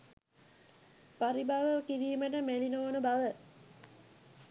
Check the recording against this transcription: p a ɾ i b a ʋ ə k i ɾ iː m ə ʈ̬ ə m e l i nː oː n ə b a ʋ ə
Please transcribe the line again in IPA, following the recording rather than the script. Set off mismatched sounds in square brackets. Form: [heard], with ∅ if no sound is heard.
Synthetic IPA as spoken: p a ɾ i b a ʋ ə k i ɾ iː m ə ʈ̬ ə m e l i [n] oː n ə b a ʋ ə